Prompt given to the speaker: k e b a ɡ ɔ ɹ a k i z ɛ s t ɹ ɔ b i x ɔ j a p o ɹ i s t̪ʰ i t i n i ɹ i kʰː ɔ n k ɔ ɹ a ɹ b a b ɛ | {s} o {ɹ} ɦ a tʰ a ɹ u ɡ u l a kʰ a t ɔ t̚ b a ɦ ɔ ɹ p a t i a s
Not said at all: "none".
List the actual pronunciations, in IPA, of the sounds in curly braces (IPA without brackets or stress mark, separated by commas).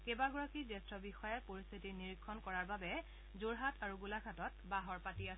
z, ɹ